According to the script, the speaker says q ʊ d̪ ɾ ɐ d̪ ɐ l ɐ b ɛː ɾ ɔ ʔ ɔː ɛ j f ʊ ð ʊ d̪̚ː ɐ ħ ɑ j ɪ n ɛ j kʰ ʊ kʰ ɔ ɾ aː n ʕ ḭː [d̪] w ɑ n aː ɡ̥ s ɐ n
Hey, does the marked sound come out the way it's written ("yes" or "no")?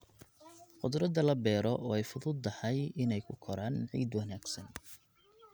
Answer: yes